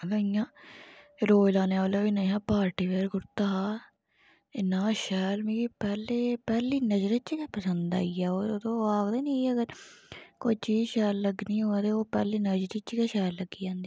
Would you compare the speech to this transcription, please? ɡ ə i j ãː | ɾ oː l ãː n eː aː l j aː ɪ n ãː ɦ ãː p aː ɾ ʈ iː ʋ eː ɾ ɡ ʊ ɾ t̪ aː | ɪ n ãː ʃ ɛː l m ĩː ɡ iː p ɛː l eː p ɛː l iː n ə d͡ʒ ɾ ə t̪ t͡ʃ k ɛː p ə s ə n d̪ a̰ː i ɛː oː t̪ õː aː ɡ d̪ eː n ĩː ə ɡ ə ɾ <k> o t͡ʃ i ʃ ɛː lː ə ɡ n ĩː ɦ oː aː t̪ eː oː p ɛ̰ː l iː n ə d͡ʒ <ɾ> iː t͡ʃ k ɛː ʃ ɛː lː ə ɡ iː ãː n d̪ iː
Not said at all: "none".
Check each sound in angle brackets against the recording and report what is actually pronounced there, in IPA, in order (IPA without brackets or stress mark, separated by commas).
k, ɾ